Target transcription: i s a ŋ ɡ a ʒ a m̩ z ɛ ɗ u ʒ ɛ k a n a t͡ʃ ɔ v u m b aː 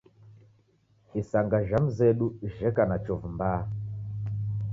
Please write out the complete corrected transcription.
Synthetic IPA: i s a ŋ ɡ a ʒ a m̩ z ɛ ɗ u ʒ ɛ k a n a t͡ʃ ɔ v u m b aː